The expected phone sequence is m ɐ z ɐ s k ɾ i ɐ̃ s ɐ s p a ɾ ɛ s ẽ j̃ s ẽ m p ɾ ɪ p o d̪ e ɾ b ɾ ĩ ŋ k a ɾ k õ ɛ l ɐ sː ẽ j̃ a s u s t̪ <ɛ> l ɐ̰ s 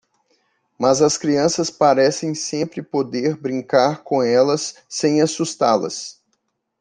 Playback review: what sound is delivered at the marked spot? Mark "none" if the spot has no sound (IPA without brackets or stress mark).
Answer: a